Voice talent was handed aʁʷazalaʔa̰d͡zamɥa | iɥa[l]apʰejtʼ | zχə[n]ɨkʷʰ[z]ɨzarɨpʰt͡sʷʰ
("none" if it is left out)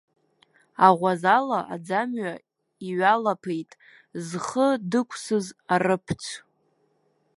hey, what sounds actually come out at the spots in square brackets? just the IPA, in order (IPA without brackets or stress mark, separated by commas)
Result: l, d, s